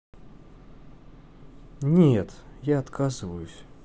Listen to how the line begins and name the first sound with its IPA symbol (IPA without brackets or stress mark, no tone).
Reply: nʲ